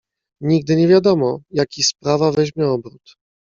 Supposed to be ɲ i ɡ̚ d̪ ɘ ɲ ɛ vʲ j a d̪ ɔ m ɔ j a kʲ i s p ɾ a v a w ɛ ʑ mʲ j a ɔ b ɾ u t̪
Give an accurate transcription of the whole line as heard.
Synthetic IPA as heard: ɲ i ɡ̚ d̪ ɘ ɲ ɛ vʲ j a d̪ ɔ m ɔ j a kʲ i s p ɾ a v a v ɛ ʑ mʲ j ɛ ɔ b ɾ u t̪